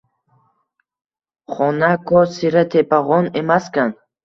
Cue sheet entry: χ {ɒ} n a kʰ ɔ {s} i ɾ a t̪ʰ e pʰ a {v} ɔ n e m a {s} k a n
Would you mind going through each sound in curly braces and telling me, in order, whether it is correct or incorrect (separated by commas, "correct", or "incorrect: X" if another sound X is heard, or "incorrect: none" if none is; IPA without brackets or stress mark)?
incorrect: ɔ, correct, incorrect: ʁ, correct